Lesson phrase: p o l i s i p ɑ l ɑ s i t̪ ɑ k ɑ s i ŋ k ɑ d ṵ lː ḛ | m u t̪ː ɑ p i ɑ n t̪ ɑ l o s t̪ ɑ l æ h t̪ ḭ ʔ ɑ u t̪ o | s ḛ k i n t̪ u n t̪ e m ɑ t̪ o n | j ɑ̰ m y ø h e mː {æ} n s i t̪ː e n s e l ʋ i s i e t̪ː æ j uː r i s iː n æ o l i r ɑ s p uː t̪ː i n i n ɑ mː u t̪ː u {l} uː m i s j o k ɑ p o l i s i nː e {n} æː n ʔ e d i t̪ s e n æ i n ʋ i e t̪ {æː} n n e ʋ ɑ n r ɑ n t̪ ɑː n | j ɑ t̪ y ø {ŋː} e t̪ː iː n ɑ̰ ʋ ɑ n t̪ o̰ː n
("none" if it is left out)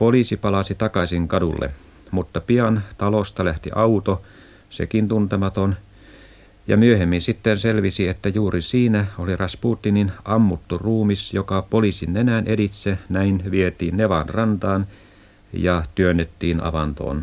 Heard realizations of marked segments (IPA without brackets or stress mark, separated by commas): i, r, n, iː, nː